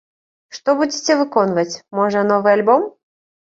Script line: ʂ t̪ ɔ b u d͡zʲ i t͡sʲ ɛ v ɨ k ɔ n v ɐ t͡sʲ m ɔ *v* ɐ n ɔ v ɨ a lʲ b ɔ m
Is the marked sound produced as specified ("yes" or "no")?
no